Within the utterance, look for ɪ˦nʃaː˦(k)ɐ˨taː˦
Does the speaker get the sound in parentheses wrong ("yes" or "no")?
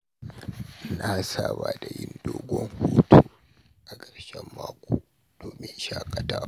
yes